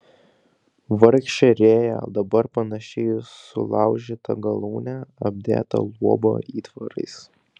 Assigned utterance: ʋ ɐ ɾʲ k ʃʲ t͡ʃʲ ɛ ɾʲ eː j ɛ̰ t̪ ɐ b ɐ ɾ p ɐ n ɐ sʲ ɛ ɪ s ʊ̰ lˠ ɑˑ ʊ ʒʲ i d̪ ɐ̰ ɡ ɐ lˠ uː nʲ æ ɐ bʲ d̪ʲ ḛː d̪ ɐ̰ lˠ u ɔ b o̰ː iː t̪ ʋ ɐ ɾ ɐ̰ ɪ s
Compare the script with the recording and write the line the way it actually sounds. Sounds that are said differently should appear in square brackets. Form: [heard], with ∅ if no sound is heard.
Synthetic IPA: ʋ ɐ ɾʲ k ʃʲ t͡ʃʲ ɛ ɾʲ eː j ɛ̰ [d̪] ɐ b ɐ ɾ p ɐ n ɐ [ʃʲ] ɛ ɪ s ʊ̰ lˠ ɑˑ ʊ ʒʲ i [t̪] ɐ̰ ɡ ɐ lˠ uː nʲ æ ɐ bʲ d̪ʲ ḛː [t̪] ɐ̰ lˠ u ɔ b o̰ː iː t̪ ʋ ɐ ɾ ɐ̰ ɪ s